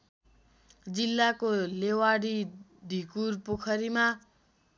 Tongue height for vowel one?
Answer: high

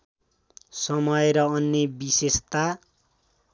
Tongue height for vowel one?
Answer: mid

